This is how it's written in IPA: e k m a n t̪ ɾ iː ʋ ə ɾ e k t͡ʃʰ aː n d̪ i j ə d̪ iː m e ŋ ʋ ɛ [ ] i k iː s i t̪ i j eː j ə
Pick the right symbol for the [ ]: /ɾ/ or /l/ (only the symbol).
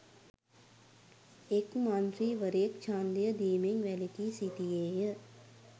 l